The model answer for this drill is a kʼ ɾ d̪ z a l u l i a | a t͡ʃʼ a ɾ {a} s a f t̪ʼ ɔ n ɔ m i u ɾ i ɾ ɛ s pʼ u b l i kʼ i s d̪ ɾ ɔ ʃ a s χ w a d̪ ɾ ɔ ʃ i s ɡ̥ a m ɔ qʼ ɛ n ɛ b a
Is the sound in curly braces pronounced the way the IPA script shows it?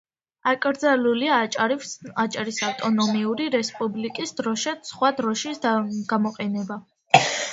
no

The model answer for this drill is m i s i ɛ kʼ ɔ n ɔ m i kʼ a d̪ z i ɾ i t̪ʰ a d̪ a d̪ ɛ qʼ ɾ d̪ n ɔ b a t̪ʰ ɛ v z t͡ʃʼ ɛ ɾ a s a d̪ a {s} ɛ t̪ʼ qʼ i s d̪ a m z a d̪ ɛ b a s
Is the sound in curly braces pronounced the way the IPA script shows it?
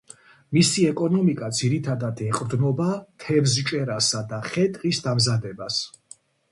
no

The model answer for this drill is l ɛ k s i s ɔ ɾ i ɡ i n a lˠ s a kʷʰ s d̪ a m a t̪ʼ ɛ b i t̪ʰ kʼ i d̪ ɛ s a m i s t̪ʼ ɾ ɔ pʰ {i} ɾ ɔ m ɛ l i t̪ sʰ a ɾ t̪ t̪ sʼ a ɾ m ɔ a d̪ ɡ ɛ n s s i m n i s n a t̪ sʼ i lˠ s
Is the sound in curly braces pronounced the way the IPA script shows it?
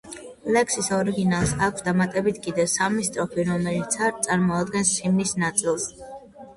yes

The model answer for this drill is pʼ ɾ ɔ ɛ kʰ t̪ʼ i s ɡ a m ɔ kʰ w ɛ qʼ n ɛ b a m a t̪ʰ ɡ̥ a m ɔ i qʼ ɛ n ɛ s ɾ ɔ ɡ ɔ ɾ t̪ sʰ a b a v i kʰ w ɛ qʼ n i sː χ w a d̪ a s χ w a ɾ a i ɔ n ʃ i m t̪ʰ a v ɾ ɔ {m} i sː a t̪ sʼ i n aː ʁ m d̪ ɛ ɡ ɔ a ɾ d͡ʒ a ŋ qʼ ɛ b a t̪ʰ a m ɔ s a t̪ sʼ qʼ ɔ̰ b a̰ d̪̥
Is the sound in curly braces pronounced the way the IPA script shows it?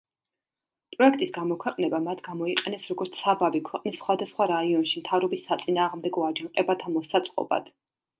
no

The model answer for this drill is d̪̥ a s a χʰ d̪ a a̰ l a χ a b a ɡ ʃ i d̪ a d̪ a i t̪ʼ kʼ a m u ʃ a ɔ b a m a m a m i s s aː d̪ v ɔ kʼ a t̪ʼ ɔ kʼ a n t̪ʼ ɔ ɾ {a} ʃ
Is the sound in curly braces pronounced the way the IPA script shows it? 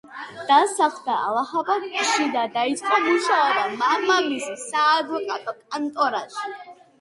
yes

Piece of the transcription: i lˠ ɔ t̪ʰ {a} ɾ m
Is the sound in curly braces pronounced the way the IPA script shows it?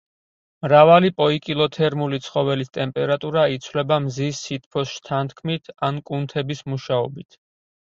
no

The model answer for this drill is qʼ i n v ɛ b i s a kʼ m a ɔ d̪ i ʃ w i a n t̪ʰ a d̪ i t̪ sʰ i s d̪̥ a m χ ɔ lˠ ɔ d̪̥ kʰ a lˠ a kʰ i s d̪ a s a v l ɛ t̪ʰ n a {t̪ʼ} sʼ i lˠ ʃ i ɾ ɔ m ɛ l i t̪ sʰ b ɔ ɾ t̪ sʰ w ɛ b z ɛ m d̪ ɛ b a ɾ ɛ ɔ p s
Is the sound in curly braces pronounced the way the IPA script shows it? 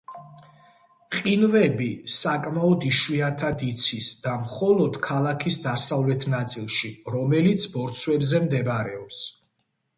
no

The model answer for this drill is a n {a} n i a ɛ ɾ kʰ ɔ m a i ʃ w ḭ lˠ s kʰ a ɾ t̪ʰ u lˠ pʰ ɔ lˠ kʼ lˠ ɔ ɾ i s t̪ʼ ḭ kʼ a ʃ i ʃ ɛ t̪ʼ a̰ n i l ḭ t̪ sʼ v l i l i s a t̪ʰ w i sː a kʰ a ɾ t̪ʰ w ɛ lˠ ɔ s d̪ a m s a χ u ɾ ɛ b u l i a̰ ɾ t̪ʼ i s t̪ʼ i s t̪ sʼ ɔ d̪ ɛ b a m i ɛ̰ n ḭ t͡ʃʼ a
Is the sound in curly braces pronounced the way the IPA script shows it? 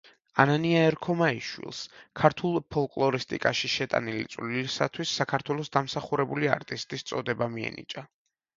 yes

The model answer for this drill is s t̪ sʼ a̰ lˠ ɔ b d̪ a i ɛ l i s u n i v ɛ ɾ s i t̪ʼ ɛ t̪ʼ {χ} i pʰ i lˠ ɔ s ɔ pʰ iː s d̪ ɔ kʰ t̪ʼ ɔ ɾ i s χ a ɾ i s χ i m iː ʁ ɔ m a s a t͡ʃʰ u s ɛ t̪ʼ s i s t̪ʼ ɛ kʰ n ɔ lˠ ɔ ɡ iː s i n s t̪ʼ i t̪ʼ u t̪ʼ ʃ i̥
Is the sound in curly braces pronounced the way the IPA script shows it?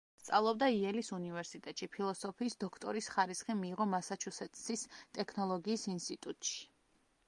no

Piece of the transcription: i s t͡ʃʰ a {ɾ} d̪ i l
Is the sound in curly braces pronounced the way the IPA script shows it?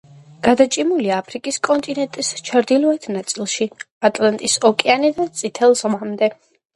yes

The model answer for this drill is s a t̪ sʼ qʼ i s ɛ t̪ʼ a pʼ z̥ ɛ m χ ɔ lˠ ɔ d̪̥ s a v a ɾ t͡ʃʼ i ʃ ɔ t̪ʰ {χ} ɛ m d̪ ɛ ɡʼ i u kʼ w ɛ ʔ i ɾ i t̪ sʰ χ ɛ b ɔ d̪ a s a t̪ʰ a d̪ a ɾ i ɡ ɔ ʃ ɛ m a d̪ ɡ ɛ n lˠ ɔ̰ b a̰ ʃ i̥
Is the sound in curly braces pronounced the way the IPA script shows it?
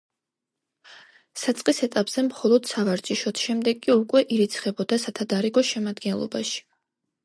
no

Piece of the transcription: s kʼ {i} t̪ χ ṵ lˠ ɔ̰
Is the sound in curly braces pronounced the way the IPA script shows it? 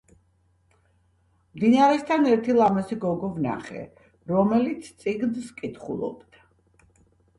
yes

